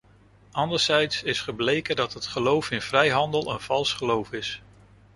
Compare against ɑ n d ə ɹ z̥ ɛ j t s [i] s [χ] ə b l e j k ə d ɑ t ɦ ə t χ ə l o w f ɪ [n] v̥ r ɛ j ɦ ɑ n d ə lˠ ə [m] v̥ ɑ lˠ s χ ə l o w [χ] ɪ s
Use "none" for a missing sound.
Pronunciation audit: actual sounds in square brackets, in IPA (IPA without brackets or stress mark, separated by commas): ɪ, χ, n, n, f